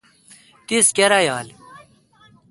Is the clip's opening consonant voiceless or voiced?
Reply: voiceless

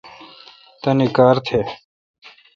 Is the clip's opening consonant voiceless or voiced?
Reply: voiceless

